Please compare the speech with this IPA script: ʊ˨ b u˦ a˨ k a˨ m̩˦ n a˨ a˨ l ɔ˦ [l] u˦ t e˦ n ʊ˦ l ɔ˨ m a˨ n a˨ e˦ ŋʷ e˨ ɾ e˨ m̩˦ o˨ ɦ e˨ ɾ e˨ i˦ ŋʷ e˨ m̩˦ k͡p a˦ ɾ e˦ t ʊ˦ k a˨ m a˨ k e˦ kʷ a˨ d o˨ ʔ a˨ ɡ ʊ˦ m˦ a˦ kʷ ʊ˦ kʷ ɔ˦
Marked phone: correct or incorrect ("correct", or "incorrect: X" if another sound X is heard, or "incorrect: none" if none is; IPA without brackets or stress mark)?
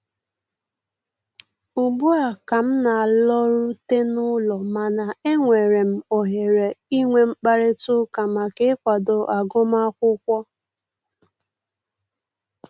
incorrect: ɾ